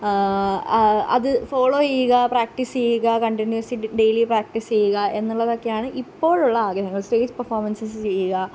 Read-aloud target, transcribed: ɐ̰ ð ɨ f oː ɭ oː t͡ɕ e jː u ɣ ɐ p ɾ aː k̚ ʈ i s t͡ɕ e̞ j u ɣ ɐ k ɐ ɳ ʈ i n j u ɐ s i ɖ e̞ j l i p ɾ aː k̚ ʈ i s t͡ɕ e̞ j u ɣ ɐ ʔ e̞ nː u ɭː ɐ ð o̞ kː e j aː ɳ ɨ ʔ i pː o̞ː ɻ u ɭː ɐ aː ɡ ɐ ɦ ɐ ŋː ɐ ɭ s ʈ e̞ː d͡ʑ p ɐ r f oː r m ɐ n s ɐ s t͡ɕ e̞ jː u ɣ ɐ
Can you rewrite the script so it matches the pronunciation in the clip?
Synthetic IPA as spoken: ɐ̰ ð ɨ f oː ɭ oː t͡ɕ e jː u ɣ ɐ p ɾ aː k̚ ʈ i s t͡ɕ e̞ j u ɣ ɐ k ɐ ɳ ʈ i n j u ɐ s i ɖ e̞ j l i p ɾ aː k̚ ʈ i s t͡ɕ e̞ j u ɣ ɐ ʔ e̞ nː u ɭː ɐ ð o̞ kː e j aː ɳ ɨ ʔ i pː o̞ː ɻ u ɭː ɐ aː ɡ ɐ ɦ ɐ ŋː ɐ ɭ s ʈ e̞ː d͡ʑ p ɐ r f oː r m ɐ n s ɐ s t͡ɕ e̞ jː u ɣ ɐ